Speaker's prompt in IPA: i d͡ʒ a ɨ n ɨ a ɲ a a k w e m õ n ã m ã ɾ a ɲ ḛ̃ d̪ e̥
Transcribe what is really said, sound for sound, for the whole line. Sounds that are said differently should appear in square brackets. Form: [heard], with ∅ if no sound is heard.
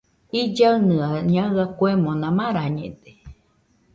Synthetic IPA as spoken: i d͡ʒ a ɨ n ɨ a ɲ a a k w e m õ n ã m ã ɾ a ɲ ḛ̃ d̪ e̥